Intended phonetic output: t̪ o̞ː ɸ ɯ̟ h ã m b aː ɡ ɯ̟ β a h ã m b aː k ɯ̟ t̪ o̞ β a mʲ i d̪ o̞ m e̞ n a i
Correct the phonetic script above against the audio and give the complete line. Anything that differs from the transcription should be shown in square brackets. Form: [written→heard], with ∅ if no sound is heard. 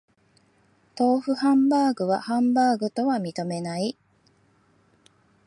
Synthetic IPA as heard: t̪ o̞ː ɸ ɯ̟ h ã m b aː ɡ ɯ̟ β a h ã m b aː [k→ɡ] ɯ̟ t̪ o̞ β a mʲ i [d̪→t̪] o̞ m e̞ n a i